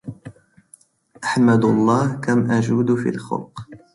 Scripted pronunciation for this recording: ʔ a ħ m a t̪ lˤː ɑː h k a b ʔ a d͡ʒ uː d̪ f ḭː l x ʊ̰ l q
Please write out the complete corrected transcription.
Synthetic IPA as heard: ʔ a ħ m a d̪ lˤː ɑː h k a m ʔ a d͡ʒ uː d̪ f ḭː l x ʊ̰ l q